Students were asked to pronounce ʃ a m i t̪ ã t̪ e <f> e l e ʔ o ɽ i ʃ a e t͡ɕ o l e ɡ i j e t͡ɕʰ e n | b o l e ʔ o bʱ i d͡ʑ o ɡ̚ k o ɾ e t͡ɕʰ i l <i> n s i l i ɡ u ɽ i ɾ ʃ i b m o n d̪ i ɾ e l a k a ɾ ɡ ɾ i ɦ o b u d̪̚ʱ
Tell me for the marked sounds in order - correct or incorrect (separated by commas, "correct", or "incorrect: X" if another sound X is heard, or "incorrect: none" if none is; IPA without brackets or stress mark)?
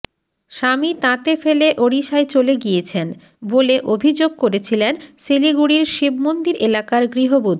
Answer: correct, incorrect: e